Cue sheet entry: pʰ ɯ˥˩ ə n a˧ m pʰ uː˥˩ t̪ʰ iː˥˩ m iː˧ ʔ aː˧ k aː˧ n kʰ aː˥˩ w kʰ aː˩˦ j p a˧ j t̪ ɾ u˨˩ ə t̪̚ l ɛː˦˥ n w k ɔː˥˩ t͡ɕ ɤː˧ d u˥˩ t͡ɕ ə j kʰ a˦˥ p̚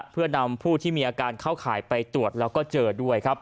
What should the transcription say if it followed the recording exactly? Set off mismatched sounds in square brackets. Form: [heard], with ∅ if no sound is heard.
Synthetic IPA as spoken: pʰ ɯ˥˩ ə n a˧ m pʰ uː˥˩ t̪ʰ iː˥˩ m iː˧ ʔ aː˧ k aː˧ n kʰ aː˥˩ w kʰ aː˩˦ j p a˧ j t̪ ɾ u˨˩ ə t̪̚ l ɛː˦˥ [∅] w k ɔː˥˩ t͡ɕ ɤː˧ d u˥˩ [∅] ə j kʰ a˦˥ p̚